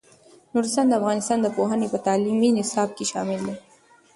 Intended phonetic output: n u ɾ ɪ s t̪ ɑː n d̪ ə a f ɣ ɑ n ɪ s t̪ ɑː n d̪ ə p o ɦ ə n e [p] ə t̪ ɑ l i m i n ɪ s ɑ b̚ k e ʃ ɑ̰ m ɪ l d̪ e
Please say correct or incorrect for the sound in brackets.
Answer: correct